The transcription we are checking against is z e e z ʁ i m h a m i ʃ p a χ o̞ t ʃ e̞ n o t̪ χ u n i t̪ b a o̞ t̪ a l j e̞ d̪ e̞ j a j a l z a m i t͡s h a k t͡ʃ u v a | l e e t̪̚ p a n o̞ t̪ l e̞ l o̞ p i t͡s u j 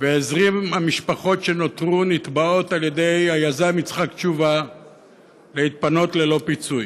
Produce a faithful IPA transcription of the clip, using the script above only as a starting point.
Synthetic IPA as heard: v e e z ʁ i m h a m i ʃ p a χ o̞ t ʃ e̞ n o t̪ ʁ u n i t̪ b a o̞ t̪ a l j e̞ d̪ e̞ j a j a z a m i t͡s χ a k t͡ʃ u v a | l e i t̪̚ p a n o̞ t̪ l e̞ l o̞ p i t͡s u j